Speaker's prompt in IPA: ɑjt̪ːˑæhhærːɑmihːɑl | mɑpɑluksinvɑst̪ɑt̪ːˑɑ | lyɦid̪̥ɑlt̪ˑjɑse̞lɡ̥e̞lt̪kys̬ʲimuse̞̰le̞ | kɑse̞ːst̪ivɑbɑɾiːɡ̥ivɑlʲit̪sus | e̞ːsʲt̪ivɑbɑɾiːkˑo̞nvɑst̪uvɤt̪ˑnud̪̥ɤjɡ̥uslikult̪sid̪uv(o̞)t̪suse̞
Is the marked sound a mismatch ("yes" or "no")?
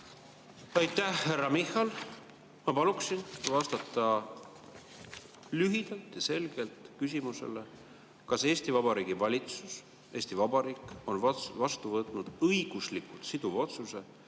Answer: no